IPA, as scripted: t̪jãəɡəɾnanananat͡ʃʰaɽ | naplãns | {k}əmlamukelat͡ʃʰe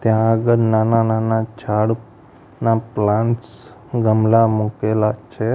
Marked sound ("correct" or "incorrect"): incorrect